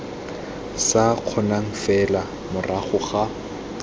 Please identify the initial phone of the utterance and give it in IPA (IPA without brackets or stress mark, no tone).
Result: s